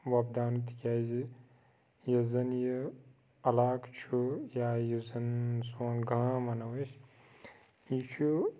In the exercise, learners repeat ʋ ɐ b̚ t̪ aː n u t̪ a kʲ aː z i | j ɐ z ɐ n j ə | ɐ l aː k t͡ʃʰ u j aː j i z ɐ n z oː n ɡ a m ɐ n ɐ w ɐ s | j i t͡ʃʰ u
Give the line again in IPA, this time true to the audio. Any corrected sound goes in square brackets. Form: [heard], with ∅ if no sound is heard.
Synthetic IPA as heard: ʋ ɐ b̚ [d̪] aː n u t̪ [i] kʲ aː z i | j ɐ z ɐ n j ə | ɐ l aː k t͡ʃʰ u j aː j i z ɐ n [s] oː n ɡ a m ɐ n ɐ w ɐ s | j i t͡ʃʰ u